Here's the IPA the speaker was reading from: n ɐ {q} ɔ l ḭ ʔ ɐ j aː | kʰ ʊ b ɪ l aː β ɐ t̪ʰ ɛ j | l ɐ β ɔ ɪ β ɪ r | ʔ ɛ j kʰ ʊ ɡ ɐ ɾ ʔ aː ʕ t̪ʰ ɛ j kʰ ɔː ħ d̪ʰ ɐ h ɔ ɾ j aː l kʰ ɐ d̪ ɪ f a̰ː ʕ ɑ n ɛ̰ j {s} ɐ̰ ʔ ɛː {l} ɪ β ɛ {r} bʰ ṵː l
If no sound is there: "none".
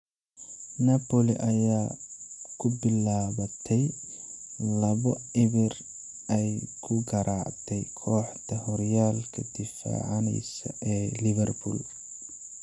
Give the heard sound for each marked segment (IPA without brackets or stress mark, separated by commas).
p, s, l, r